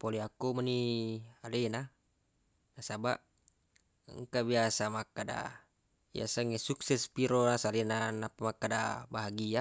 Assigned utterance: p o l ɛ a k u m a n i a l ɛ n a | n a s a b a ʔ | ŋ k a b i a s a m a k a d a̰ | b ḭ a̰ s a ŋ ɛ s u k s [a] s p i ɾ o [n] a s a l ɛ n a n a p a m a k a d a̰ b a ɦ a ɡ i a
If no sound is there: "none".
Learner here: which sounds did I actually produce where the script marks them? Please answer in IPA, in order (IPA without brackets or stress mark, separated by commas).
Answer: ɛ, n